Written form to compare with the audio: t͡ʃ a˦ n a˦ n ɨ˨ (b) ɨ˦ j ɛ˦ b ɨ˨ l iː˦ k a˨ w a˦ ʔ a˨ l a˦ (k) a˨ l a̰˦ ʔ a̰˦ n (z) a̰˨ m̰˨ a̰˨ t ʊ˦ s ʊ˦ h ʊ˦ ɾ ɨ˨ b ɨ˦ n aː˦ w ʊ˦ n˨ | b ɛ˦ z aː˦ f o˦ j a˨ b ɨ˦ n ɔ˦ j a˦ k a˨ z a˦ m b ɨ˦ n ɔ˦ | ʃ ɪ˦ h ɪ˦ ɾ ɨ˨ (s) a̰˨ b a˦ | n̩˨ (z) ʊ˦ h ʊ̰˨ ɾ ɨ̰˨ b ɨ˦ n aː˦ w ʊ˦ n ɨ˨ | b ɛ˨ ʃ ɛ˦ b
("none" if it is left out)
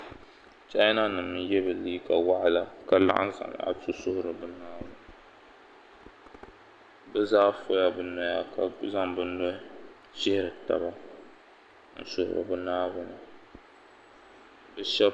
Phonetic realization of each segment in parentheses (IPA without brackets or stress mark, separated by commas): m, k, z, t, s